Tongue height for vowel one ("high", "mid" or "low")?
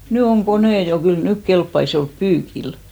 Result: high